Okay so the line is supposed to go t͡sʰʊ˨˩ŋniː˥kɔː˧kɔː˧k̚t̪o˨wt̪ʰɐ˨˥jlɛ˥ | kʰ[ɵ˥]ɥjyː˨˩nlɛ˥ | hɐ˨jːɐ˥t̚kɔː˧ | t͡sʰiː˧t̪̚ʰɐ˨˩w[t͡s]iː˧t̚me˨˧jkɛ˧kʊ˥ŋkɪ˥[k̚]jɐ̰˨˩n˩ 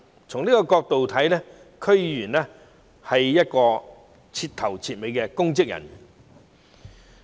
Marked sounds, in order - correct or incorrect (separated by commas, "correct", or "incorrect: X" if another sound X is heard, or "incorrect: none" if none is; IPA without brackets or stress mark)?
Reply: correct, incorrect: t͡sʰ, correct